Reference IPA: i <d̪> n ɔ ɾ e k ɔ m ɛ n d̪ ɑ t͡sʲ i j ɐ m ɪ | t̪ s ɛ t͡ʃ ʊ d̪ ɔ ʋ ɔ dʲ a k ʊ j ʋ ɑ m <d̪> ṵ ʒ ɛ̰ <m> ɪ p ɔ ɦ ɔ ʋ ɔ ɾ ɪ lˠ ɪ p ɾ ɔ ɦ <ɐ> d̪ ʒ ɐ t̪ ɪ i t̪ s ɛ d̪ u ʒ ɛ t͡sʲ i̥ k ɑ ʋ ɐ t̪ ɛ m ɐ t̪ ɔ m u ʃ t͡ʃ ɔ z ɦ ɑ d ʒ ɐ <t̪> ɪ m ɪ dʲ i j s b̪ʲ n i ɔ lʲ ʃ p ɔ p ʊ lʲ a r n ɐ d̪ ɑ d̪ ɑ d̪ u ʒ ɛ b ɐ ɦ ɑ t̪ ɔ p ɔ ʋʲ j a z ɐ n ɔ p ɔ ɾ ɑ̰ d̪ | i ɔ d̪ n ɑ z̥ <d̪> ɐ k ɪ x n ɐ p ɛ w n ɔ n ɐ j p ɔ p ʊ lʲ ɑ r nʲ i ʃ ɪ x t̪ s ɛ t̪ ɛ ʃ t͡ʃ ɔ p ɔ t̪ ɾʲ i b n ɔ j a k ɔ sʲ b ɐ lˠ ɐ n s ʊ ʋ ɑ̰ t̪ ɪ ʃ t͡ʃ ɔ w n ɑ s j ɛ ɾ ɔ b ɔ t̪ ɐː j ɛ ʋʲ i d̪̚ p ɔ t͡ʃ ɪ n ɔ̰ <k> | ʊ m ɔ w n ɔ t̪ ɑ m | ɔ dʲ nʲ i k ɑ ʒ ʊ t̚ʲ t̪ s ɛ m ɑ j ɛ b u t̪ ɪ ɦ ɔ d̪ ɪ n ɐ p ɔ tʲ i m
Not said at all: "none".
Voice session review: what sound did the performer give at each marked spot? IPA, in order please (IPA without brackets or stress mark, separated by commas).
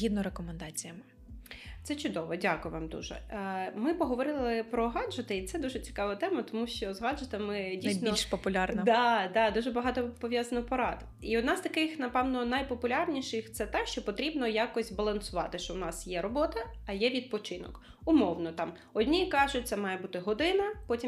d̪, d̪, m, ɑ, t̪, t̪, k